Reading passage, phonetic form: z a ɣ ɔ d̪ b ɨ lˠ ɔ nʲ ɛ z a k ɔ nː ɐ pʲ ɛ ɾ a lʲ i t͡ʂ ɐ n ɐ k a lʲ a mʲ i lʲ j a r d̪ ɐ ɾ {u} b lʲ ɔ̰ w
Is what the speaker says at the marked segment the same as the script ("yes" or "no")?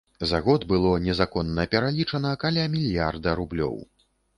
yes